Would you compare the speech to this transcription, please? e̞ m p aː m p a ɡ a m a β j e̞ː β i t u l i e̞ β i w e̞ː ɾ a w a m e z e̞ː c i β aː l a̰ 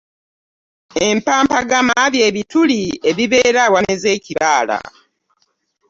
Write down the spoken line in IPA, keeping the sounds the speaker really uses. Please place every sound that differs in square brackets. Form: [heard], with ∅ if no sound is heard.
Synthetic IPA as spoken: e̞ m p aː m p a ɡ a m a β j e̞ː β i t u l i e̞ β i [β] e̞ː ɾ a w a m e z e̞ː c i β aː l a̰

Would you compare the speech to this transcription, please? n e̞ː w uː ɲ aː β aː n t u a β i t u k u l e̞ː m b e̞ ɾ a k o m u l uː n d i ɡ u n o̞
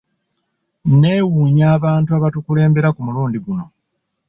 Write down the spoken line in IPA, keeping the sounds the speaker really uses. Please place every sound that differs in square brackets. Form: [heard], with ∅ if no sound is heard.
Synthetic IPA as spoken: n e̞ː w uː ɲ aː β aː n t u a β [a] t u k u l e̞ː m b e̞ ɾ a k [u] m u l uː n d i ɡ u n o̞

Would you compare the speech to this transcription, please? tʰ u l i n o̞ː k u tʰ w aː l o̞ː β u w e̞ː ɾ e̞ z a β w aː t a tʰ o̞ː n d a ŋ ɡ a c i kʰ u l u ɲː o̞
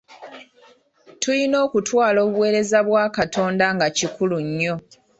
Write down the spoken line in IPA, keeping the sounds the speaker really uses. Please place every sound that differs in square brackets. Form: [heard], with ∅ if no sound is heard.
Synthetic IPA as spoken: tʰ u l i n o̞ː k u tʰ w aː l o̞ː β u w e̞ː ɾ e̞ z a β w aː [k] a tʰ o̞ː n d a ŋ ɡ a c i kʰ u l u ɲː o̞

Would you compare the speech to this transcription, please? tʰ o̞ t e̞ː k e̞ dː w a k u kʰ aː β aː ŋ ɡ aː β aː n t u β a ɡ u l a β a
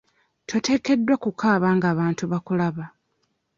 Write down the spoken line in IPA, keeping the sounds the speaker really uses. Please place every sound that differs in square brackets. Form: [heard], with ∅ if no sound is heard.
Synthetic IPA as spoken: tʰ o̞ t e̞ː k e̞ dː w a k u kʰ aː β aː ŋ ɡ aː β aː n t u β a [k] u l a β a

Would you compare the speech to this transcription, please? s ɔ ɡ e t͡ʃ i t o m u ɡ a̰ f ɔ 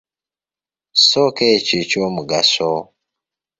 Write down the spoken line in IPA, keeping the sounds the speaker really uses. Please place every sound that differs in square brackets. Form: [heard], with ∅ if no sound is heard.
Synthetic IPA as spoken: s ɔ [k] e t͡ʃ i [t͡ʃ] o m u ɡ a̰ [s] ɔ

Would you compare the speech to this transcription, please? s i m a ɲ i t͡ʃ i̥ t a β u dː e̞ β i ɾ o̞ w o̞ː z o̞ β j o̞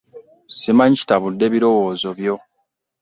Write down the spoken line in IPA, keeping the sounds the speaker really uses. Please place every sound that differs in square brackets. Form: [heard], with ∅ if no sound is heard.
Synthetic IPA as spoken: s i m a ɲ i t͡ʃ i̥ t a β u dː e̞ β i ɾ o̞ w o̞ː z o̞ β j o̞

